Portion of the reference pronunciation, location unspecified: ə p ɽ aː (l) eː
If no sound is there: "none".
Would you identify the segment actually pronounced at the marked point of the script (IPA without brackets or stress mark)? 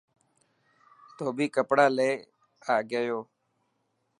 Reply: l